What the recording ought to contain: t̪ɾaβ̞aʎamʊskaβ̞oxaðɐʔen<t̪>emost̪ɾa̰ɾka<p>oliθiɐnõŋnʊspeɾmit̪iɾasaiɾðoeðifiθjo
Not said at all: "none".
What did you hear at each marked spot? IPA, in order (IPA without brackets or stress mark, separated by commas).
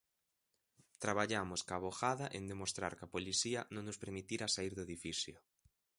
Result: d̪, p